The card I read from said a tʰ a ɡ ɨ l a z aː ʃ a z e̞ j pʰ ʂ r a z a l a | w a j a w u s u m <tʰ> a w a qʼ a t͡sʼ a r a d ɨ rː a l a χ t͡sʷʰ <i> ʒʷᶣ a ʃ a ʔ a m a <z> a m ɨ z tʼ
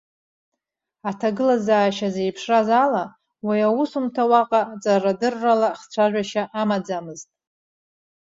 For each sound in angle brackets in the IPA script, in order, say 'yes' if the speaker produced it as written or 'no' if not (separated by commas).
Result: yes, no, no